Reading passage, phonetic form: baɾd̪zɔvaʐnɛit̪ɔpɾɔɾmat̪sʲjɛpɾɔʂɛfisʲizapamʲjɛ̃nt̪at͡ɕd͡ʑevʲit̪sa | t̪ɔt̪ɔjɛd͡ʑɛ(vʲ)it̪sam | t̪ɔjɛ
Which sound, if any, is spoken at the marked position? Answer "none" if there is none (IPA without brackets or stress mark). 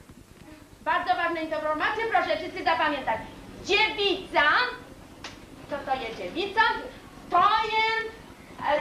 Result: vʲ